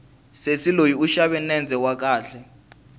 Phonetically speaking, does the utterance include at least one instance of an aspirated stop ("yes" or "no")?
no